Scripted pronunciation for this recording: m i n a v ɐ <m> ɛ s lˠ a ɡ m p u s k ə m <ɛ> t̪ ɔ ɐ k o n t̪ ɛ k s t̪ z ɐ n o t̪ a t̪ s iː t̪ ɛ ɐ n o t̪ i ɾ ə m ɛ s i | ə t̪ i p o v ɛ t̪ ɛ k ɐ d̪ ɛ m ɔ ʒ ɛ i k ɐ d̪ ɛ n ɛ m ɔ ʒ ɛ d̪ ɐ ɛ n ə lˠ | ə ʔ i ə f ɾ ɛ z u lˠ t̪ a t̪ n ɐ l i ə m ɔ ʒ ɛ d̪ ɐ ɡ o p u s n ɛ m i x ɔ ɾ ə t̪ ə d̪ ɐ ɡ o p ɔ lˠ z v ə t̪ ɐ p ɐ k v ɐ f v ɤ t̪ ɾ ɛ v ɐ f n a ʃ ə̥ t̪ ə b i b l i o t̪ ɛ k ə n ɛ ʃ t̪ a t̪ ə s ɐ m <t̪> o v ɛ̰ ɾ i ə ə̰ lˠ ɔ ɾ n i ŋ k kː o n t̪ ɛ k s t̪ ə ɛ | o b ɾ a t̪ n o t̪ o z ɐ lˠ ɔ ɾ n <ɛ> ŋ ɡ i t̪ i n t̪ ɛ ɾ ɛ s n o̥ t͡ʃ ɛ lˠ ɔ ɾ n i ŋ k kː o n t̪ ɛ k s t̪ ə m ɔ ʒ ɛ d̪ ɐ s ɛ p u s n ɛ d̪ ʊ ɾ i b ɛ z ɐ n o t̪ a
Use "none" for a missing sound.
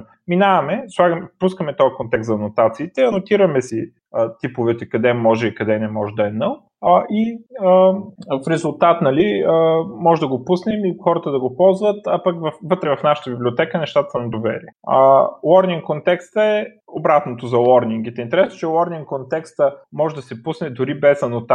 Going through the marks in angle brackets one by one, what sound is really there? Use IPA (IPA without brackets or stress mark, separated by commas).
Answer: m, ɛ, d̪, i